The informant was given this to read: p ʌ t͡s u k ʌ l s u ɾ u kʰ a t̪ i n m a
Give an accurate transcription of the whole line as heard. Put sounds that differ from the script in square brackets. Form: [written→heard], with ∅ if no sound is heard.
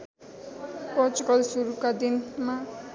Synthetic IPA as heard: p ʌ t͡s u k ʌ l s u ɾ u [kʰ→k] a [t̪→d̪] i n m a